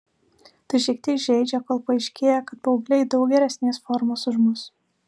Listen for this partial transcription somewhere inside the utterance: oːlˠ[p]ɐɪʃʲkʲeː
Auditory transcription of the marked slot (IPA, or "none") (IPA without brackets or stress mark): p